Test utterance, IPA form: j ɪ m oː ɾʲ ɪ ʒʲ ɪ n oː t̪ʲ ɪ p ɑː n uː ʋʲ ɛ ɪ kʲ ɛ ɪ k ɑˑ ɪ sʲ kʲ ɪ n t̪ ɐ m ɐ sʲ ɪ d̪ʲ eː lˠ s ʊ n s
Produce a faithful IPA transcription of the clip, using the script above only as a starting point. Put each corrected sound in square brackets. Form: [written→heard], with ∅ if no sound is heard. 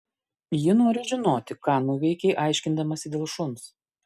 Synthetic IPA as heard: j ɪ [m→n] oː ɾʲ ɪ ʒʲ ɪ n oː t̪ʲ ɪ [p→k] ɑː n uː ʋʲ ɛ ɪ kʲ ɛ ɪ [k→ʔ] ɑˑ ɪ [sʲ→ʃʲ] kʲ ɪ n [t̪→d̪] ɐ m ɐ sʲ ɪ d̪ʲ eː lˠ [s→ʃ] ʊ n s